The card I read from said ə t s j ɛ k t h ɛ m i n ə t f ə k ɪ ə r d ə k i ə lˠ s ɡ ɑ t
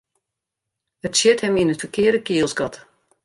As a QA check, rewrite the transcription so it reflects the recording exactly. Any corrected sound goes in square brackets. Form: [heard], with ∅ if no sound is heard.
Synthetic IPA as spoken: ə t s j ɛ [∅] t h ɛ m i n ə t f ə k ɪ ə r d ə k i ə lˠ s ɡ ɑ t